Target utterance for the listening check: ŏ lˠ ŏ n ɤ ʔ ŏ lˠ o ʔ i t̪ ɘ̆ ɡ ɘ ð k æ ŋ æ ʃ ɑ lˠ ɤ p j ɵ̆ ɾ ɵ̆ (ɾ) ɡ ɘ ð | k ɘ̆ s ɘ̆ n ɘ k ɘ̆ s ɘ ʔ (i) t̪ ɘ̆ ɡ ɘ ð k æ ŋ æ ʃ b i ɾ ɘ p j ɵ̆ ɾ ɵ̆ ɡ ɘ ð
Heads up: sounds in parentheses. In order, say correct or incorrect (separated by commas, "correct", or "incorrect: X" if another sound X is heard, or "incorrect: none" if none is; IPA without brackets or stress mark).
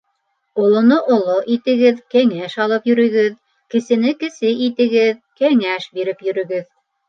incorrect: none, correct